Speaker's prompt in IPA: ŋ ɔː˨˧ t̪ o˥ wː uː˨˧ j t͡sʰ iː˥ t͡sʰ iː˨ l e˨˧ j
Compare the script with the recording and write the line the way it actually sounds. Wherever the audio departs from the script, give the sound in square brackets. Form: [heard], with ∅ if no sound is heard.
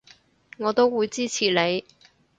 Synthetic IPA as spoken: ŋ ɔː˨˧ t̪ o˥ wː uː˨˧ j [t͡s] iː˥ t͡sʰ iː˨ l e˨˧ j

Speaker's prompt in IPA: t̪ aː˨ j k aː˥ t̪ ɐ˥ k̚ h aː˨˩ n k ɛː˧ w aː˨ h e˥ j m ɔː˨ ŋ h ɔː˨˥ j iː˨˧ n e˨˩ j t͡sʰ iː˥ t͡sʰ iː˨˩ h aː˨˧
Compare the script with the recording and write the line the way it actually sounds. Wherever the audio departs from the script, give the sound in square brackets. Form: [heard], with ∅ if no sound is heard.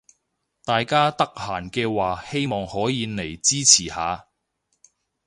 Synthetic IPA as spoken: t̪ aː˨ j k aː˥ t̪ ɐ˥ k̚ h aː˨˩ n k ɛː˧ w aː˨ h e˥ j m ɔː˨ ŋ h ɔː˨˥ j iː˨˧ n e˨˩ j [t͡s] iː˥ t͡sʰ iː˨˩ h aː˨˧

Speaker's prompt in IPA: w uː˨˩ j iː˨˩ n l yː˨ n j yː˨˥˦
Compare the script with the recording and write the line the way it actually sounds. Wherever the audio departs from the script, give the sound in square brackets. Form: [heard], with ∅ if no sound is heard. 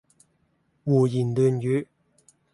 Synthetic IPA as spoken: w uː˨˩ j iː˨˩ n l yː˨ n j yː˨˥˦

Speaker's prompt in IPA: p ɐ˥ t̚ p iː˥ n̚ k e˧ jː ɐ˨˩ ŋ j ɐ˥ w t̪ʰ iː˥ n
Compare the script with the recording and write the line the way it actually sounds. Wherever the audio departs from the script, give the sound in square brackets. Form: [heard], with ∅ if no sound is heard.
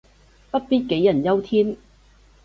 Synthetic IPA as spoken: p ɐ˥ t̚ p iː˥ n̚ k [e˨˥] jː ɐ˨˩ [n] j ɐ˥ w t̪ʰ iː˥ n

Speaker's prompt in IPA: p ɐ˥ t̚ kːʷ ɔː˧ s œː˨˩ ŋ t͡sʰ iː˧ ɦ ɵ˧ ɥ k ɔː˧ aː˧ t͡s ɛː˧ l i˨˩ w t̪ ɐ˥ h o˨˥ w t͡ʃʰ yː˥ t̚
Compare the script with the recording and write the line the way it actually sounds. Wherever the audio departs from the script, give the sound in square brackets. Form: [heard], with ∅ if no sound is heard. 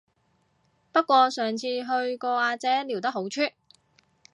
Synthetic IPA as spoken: p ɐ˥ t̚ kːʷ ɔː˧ s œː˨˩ ŋ t͡sʰ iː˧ ɦ ɵ˧ ɥ k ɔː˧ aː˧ t͡s [ɛː˨˥] l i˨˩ w t̪ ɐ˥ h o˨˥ w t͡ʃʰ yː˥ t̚

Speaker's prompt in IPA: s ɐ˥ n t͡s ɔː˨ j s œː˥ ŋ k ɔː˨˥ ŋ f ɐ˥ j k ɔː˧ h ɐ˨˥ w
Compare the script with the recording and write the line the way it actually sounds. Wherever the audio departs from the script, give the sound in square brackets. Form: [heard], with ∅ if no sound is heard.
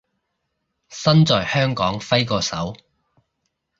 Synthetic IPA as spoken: s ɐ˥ n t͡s ɔː˨ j [h] œː˥ ŋ k ɔː˨˥ ŋ f ɐ˥ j k ɔː˧ [s] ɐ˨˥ w

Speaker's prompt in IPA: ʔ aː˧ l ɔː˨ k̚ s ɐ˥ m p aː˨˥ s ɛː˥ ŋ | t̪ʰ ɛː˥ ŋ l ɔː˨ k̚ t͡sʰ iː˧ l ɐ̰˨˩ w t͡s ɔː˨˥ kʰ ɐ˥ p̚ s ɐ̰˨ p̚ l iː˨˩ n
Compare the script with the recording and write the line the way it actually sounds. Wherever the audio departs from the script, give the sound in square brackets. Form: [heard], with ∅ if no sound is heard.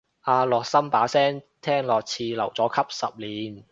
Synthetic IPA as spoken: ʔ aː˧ l ɔː˨ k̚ s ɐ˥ m p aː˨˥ s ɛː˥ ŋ | t̪ʰ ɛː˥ ŋ l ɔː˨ k̚ t͡sʰ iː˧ l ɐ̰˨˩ w t͡s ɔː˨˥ kʰ ɐ˥ p̚ s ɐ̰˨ p̚ l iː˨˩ n

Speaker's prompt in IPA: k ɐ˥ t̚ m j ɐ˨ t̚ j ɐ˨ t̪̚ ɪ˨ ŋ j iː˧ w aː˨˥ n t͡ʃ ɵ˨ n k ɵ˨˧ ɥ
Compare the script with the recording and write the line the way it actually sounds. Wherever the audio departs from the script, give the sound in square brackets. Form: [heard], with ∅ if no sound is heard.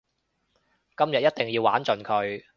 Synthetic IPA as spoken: k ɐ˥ [∅] m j ɐ˨ t̚ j [ɐ˥] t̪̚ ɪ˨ ŋ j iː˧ w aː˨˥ n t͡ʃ ɵ˨ n [kʰ] ɵ˨˧ ɥ

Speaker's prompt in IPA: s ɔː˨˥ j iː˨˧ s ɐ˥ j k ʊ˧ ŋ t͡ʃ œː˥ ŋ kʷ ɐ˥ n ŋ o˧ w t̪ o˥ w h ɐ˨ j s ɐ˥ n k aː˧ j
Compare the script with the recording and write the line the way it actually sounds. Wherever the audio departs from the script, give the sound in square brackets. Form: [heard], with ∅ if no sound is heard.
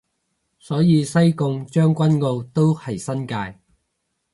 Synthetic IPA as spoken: s ɔː˨˥ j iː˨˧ s ɐ˥ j k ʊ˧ ŋ t͡ʃ œː˥ ŋ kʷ ɐ˥ n ŋ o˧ w t̪ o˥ w h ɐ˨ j s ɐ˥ n k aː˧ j

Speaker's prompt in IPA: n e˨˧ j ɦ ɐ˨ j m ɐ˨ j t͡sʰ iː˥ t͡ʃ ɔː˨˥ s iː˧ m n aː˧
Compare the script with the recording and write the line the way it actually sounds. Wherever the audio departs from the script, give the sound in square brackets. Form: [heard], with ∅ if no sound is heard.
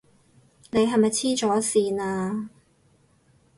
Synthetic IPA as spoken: n e˨˧ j ɦ ɐ˨ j m ɐ˨ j t͡sʰ iː˥ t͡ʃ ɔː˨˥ s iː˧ [∅] n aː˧

